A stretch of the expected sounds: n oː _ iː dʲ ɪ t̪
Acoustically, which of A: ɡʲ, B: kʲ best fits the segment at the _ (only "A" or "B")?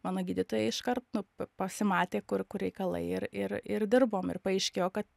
A